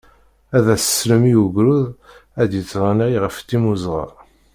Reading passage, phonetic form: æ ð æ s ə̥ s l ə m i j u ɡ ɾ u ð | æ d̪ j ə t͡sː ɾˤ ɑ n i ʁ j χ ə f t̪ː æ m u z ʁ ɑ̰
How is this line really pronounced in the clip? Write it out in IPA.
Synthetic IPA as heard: æ ð æ s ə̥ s l ə m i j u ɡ ɾ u ð | æ d̪ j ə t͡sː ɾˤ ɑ n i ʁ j ʁ ə f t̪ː i m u z ʁ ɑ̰